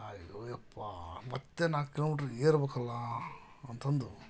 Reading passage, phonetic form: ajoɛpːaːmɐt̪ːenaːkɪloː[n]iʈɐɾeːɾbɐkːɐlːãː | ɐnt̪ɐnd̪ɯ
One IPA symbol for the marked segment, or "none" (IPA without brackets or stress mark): m